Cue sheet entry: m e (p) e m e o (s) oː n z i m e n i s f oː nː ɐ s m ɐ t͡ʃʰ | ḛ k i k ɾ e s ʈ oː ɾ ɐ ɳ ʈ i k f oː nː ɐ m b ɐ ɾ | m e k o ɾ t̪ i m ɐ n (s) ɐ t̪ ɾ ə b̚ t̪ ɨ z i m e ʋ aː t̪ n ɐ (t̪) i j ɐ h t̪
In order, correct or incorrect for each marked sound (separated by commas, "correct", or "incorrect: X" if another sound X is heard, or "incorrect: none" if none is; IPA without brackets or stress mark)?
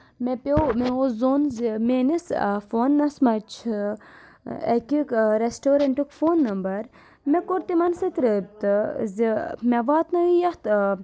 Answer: correct, incorrect: z, correct, incorrect: none